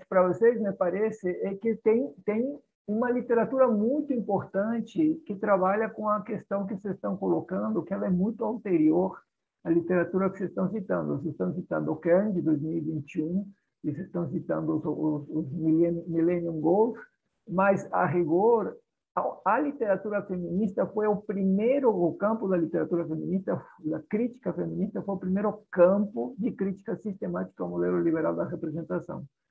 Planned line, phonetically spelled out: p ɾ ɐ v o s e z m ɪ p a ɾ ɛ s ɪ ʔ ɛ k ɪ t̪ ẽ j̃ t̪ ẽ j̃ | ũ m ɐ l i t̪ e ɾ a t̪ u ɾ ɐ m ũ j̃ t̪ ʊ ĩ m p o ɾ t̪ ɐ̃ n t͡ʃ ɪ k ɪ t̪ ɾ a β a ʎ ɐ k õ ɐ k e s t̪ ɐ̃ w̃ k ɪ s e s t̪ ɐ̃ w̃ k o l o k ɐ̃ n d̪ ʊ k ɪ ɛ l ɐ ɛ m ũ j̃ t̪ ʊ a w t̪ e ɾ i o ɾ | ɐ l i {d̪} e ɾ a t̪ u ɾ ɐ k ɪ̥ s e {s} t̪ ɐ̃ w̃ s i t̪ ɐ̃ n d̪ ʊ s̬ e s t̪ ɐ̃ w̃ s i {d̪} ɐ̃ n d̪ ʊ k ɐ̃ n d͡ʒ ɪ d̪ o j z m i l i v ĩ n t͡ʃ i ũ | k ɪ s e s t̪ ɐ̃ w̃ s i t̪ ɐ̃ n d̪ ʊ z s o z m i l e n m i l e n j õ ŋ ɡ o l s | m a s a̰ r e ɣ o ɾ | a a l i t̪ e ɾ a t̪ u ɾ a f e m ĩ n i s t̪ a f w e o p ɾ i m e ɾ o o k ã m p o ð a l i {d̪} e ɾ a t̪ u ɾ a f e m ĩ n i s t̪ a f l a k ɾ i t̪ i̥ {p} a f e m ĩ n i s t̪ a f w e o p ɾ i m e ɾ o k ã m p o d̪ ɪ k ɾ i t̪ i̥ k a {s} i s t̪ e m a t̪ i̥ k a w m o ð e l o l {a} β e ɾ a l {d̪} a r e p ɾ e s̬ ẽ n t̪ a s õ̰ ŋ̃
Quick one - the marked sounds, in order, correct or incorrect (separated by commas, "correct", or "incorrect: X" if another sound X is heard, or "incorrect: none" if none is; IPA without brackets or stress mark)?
incorrect: t̪, correct, incorrect: t̪, incorrect: t̪, incorrect: k, correct, incorrect: i, correct